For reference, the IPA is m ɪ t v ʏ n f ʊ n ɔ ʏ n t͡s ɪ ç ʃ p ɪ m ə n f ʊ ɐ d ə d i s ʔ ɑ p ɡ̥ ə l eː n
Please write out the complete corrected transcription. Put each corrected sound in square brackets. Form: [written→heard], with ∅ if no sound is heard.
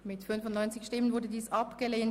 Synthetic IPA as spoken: m ɪ t [v→f] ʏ n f ʊ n ɔ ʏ n t͡s ɪ ç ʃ [p→t] ɪ m ə n [f→v] ʊ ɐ d ə d [i→iː] s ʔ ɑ p ɡ̥ ə l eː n